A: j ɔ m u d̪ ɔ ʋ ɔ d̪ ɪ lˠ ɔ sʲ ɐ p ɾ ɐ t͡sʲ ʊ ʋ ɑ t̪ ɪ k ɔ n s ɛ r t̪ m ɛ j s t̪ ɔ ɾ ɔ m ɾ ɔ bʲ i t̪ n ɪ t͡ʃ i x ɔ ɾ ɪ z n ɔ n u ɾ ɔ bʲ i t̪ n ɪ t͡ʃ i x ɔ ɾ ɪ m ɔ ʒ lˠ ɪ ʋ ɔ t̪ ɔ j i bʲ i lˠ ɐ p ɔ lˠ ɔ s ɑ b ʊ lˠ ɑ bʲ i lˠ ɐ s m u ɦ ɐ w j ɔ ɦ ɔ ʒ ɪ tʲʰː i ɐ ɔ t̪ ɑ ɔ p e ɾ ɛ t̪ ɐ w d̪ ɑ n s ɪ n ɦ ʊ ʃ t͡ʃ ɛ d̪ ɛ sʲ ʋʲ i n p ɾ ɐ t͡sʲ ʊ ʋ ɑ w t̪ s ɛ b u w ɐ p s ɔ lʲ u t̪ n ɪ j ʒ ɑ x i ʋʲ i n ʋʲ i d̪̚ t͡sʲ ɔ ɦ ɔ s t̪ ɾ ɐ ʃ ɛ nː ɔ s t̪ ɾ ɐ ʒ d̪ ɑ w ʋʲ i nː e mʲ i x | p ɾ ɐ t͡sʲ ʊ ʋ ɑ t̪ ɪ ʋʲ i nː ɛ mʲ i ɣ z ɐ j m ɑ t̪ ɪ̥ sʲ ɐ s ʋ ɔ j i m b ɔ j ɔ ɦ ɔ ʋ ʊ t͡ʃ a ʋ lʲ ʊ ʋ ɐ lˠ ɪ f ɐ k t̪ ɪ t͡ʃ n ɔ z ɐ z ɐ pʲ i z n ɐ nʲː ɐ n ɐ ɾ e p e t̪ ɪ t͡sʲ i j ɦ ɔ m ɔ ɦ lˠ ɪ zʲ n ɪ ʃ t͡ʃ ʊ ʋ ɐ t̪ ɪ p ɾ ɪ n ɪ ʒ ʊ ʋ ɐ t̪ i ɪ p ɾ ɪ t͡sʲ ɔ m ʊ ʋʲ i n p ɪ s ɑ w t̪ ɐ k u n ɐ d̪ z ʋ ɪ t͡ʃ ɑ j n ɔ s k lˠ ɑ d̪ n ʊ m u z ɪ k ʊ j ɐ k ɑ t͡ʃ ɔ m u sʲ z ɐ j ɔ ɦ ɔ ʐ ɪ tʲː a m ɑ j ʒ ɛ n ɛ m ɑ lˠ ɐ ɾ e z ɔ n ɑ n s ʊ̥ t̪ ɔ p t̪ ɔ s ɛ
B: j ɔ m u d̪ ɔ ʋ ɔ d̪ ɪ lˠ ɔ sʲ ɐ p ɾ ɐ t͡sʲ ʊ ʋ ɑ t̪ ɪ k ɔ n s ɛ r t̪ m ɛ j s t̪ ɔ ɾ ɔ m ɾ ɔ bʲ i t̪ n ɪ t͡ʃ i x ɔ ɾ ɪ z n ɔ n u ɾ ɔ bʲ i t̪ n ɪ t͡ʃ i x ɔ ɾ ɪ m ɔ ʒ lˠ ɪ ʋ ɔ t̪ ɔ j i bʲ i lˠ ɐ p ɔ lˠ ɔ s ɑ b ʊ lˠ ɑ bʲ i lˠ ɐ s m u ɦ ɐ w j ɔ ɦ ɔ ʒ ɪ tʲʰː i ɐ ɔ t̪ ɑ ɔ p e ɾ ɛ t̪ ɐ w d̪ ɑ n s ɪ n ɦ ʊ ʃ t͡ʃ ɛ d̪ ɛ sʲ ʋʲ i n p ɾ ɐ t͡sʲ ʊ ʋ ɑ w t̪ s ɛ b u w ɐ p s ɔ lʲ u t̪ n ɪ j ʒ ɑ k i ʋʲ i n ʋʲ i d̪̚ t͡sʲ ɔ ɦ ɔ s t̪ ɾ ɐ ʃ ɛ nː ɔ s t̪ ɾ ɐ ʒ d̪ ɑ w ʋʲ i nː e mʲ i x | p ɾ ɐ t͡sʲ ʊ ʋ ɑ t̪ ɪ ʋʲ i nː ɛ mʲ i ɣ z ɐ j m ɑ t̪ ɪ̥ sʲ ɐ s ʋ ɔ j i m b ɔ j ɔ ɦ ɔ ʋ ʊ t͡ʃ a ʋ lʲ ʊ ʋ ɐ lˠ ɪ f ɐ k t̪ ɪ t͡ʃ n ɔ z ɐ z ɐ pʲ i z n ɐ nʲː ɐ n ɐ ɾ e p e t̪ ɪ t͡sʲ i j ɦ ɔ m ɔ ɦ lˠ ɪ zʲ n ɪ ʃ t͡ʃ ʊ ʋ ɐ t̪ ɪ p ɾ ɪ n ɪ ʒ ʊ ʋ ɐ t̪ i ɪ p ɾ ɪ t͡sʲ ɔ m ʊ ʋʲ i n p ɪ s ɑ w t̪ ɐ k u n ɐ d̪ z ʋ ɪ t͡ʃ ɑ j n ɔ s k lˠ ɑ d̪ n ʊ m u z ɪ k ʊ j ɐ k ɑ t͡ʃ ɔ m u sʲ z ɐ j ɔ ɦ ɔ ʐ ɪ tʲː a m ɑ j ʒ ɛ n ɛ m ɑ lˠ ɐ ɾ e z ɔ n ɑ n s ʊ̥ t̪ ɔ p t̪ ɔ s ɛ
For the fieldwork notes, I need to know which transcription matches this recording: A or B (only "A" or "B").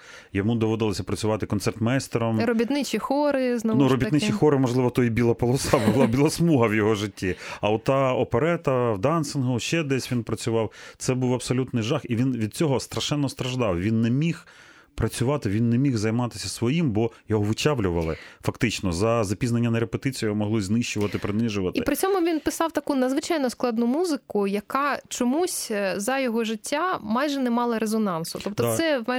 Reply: A